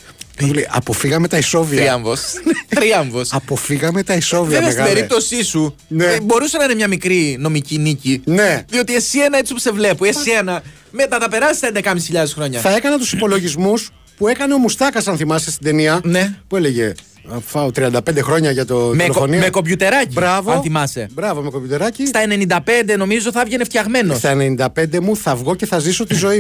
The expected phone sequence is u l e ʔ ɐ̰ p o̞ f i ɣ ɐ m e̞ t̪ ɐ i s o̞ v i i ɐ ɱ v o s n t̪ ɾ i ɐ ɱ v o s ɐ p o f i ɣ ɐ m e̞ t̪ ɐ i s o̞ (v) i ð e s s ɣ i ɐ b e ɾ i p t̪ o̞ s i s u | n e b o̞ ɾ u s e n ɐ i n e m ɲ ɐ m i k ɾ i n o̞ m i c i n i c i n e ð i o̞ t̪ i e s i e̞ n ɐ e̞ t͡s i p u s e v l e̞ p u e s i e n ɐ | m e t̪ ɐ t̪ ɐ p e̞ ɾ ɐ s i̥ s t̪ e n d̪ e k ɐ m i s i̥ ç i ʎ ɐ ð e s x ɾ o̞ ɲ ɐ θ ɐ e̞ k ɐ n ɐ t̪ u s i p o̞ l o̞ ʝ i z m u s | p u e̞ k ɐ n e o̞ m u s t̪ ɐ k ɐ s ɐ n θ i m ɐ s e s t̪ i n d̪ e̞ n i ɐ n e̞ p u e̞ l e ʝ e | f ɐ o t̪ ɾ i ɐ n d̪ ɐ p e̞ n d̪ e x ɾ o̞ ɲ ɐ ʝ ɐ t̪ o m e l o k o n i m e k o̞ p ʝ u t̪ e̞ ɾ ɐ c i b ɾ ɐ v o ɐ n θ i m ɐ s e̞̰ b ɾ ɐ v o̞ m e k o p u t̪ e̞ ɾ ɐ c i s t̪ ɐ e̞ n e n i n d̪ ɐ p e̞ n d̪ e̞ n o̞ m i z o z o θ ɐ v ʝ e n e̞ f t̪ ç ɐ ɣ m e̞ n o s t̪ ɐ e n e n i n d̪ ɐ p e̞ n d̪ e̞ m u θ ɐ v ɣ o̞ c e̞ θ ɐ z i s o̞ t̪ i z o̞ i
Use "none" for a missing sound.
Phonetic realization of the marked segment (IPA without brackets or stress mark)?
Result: v